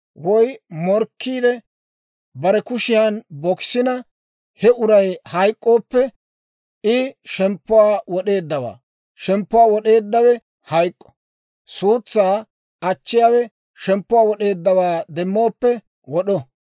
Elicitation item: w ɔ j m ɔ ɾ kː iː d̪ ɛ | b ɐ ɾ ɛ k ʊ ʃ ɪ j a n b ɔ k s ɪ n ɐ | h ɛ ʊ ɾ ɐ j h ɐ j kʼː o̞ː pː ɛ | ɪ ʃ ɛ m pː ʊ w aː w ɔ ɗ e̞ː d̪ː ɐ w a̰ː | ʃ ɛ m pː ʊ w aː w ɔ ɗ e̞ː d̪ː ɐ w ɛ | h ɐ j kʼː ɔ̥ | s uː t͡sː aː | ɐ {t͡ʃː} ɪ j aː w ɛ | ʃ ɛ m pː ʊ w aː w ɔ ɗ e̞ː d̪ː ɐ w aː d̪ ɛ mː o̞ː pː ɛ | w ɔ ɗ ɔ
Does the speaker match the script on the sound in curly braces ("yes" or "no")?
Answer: yes